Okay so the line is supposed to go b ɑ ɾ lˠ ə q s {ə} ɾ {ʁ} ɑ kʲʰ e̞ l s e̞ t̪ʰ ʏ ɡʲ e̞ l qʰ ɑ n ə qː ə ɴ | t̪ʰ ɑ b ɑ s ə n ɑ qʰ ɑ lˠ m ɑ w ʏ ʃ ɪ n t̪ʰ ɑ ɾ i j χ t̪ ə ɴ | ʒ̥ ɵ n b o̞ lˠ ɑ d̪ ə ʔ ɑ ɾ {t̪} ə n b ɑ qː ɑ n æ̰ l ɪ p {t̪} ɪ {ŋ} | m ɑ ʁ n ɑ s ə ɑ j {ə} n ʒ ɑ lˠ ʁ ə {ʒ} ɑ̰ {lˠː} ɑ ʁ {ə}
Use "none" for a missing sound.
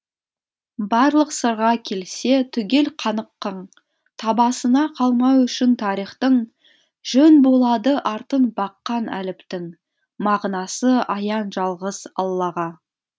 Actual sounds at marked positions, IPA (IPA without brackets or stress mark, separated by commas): ə, ʁ, t̪, t̪, ŋ, ɑ, z, lˠː, ɑ